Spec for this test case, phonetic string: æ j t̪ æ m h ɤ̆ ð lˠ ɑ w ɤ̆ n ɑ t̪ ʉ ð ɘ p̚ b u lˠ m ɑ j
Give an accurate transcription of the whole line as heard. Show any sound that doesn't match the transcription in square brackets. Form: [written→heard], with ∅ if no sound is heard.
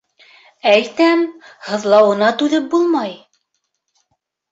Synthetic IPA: æ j t̪ æ m h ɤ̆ ð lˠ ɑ w ɤ̆ n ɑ t̪ ʉ ð ɘ p̚ b u lˠ m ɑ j